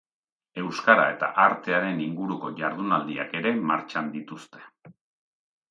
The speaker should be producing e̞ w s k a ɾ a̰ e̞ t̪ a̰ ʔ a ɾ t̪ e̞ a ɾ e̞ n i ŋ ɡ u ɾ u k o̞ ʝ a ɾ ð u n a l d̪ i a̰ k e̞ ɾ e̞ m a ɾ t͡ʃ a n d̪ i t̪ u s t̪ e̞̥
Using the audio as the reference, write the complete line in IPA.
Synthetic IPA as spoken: e̞ w s k a ɾ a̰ e̞ t̪ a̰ ʔ a ɾ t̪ e̞ a ɾ e̞ n i ŋ ɡ u ɾ u k o̞ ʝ a ɾ ð u n a l d̪ i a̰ k e̞ ɾ e̞ m a ɾ t͡ʃ a n d̪ i t̪ u s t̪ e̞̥